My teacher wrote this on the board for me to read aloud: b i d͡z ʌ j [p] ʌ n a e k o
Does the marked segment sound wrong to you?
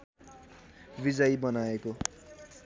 yes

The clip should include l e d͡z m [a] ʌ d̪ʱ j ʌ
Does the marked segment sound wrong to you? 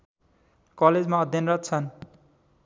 no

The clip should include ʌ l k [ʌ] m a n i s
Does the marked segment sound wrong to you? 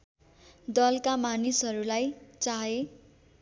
yes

